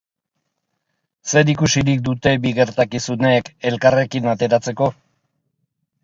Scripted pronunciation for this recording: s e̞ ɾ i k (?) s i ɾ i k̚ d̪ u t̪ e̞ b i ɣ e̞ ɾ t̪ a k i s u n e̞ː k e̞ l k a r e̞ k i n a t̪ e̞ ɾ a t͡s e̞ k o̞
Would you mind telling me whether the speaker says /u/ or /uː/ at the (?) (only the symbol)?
u